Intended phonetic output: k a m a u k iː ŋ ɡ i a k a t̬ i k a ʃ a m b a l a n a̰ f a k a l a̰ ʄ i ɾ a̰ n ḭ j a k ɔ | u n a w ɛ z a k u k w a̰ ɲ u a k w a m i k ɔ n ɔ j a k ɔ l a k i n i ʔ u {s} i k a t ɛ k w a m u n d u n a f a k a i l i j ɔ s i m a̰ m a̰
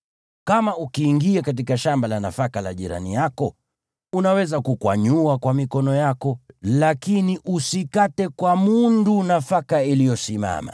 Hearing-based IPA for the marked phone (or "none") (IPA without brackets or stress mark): s